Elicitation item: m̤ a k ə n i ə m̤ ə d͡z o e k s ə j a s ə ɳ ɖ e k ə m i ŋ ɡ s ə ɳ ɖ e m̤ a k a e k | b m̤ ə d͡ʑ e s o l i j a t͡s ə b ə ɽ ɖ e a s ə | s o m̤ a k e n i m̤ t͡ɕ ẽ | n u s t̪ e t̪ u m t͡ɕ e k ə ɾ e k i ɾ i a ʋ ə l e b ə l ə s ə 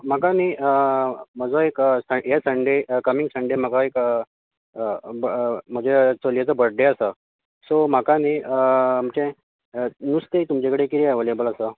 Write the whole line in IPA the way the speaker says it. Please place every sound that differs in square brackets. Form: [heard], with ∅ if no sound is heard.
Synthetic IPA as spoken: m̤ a k [a] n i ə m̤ ə d͡z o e k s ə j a s ə ɳ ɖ e k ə m i ŋ ɡ s ə ɳ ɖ e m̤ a k a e k | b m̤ ə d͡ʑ e [t͡s] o l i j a t͡s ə b ə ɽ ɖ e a s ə | s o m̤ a k [a] n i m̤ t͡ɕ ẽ | n u s t̪ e t̪ u m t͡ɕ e k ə [ɽ] e k i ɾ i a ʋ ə l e b ə l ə s ə